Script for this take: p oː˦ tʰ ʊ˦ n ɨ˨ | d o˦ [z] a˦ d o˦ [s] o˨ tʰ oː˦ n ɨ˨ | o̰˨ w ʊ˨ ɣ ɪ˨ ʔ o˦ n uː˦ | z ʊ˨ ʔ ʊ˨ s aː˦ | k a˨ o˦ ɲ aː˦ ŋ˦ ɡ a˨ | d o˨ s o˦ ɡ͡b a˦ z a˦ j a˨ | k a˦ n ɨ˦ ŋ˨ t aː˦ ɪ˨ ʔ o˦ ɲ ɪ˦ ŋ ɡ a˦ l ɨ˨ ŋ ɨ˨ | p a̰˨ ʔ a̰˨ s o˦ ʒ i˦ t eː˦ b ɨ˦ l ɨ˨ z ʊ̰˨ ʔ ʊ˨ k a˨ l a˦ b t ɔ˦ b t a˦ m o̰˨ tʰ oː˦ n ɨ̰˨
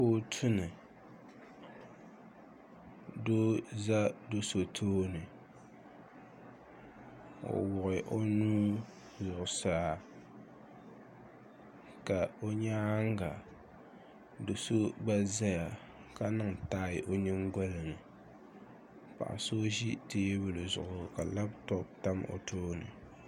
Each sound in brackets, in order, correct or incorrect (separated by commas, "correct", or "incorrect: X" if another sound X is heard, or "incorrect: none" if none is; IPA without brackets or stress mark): correct, correct